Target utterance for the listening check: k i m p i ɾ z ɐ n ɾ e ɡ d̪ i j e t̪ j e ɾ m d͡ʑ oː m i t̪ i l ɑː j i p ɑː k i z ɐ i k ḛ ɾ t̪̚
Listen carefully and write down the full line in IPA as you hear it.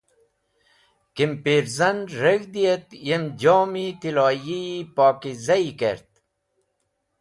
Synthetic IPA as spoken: k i m p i ɾ z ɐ n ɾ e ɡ d̪ i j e t̪ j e m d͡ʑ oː m i t̪ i l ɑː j i p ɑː k i z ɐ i k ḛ ɾ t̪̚